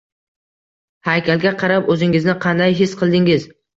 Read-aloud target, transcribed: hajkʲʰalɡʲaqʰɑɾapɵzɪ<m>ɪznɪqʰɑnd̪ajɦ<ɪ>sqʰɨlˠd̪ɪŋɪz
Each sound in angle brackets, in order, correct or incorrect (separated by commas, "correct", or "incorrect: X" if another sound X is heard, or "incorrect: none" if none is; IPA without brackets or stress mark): incorrect: ŋ, correct